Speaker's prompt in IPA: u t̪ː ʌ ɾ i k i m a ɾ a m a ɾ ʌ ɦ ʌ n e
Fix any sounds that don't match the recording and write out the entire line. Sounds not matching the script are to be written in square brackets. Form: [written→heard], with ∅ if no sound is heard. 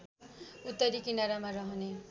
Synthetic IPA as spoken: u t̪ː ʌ ɾ i k i [m→n] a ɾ a m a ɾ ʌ ɦ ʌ n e